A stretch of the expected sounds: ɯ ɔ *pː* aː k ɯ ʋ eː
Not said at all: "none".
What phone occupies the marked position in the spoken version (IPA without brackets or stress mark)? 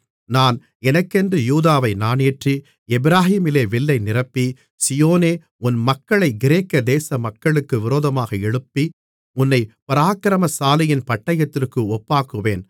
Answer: pː